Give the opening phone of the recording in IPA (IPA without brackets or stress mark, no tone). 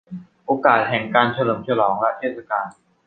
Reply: ʔ